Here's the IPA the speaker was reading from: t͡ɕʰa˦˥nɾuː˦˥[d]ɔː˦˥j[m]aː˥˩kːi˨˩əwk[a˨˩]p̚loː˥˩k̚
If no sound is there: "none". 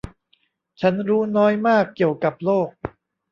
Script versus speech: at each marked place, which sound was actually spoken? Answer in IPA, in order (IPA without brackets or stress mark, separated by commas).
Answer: n, m, a˨˩